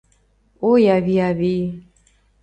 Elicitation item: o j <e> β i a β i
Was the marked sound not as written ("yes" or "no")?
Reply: yes